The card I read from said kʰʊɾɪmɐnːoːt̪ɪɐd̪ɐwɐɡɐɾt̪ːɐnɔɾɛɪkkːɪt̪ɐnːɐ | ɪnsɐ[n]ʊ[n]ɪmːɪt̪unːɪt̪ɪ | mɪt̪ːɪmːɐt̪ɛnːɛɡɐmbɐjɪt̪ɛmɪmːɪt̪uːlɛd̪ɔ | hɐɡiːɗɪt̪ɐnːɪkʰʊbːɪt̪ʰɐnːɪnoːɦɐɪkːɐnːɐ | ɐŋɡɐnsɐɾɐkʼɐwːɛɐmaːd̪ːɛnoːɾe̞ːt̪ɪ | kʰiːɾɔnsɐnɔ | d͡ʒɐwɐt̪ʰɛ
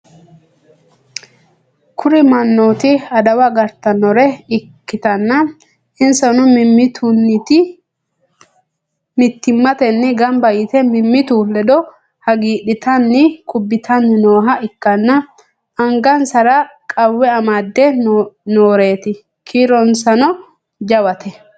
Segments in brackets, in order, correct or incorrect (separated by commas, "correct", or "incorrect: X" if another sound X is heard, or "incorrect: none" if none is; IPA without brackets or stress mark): correct, incorrect: m